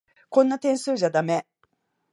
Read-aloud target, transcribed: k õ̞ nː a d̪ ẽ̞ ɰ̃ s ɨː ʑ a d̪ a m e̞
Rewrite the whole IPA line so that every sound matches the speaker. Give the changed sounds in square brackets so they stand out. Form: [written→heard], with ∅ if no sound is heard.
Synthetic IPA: k õ̞ nː a [d̪→t̪] ẽ̞ ɰ̃ s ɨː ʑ a d̪ a m e̞